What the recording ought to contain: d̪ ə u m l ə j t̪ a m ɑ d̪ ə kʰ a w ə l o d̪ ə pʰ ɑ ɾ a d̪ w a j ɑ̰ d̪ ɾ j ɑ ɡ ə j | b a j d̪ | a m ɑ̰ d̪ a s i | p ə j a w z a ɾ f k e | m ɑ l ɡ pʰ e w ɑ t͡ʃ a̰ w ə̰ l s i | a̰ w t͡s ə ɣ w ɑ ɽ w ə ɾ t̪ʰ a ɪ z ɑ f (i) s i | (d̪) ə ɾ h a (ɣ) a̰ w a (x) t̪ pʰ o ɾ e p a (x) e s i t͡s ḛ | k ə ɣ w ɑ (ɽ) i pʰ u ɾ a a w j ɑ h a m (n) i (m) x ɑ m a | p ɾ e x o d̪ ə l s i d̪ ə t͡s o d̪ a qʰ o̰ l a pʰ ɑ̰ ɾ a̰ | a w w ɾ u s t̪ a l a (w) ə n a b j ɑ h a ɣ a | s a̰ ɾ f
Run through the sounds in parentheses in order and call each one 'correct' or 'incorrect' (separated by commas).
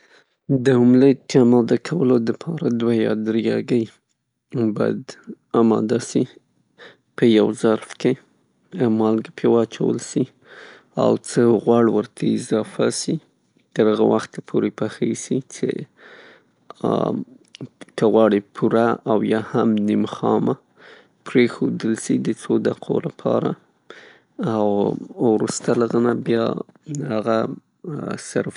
incorrect, incorrect, correct, correct, correct, correct, correct, correct, incorrect